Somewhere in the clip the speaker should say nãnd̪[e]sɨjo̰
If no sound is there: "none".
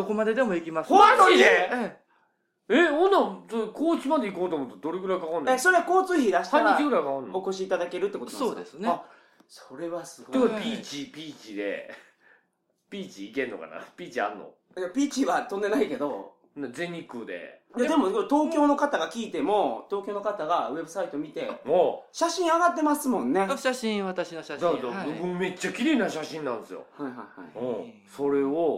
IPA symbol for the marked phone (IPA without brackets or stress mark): e